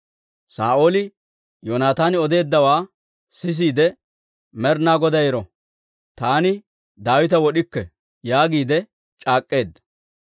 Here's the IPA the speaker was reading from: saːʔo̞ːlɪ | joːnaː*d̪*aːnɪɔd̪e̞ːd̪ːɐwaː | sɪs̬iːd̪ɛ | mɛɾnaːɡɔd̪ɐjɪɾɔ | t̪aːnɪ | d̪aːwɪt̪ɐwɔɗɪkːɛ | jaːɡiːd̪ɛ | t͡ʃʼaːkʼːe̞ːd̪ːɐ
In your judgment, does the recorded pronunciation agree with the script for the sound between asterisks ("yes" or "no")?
no